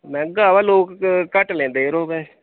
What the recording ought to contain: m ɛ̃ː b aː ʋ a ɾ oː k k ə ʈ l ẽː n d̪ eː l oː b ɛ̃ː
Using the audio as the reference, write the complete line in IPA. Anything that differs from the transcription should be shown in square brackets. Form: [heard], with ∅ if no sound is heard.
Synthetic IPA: m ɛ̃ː [ɡ] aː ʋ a [l] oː k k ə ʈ l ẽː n d̪ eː [ɾ] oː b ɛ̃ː